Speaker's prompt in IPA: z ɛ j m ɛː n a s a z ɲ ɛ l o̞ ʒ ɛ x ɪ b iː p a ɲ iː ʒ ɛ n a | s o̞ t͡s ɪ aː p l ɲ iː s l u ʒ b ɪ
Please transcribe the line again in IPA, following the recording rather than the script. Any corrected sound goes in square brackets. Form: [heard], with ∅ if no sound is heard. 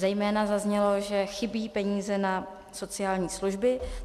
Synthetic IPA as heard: z ɛ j m ɛː n a [z] a z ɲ ɛ l o̞ ʒ ɛ x ɪ b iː p [ɛ] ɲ iː [z] ɛ n a | s o̞ t͡s ɪ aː [∅] l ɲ iː s l u ʒ b ɪ